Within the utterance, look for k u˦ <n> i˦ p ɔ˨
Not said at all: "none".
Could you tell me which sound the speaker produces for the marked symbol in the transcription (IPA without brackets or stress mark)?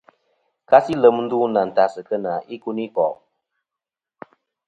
n